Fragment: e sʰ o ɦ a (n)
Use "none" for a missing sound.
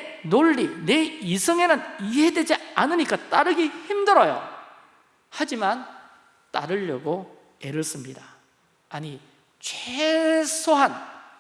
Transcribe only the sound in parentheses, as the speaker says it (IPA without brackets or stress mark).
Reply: n